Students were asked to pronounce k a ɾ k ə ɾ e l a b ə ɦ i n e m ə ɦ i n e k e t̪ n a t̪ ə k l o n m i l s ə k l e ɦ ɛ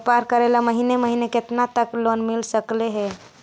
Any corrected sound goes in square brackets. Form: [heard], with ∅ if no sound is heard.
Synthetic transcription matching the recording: [p] a ɾ k ə ɾ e l a [m] ə ɦ i n e m ə ɦ i n e k e t̪ n a t̪ ə k l o n m i l s ə k l e ɦ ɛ